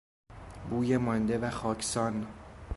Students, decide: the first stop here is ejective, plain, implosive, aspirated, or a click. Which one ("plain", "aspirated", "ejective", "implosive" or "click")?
plain